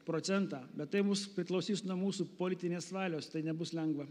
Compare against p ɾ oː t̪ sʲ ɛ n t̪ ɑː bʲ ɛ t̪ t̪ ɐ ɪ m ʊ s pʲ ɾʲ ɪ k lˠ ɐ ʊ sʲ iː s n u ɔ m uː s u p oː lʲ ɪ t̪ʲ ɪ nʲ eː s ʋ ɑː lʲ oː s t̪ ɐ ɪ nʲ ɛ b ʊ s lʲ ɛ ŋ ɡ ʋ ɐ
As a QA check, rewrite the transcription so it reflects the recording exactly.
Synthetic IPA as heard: p ɾ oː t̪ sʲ ɛ n t̪ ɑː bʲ ɛ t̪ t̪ ɐ ɪ m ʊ s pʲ ɾʲ ɪ k lˠ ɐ ʊ sʲ iː s n u ɔ m uː s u p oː lʲ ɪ t̪ʲ ɪ nʲ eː s ʋ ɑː lʲ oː s t̪ ɐ ɪ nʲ ɛ b ʊ s lʲ ɛ ŋ ɡ ʋ ɐ